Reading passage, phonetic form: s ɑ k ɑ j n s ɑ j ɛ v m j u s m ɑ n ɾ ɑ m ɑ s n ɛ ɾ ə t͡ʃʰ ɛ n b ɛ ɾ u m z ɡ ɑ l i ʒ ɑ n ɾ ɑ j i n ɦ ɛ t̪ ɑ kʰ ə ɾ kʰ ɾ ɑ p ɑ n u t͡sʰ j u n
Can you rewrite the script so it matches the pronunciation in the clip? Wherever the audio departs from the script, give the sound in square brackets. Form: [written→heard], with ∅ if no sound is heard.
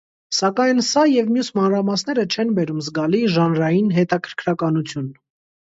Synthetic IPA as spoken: s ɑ k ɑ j n s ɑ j ɛ v m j u s m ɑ n ɾ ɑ m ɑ s n ɛ ɾ ə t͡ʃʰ ɛ n b ɛ ɾ u m z ɡ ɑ l i ʒ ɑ n ɾ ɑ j i n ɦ ɛ t̪ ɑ kʰ ə ɾ kʰ ɾ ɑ [p→k] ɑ n u t͡sʰ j u n